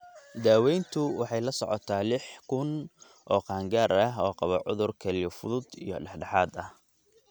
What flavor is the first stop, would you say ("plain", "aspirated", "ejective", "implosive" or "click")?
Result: plain